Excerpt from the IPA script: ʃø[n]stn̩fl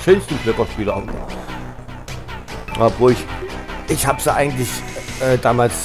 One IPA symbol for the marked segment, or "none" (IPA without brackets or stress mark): n